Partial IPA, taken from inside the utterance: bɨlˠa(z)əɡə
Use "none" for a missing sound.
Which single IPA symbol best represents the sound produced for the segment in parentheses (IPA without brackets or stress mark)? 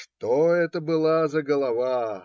z